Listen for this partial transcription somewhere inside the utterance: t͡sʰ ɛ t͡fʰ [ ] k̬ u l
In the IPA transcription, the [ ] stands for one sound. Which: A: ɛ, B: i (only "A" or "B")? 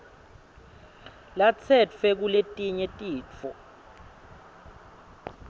A